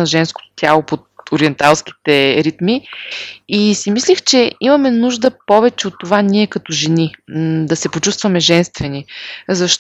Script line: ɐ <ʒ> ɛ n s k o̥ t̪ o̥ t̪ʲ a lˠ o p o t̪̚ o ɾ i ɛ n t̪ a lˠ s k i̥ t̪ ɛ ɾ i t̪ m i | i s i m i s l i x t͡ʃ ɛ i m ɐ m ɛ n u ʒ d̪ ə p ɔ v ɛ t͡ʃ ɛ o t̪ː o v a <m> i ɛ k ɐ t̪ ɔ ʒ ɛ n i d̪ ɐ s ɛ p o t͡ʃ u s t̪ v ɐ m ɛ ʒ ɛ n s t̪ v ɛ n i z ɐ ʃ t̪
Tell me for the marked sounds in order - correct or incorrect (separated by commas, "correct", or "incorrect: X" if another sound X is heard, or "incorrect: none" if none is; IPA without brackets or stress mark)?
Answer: correct, incorrect: n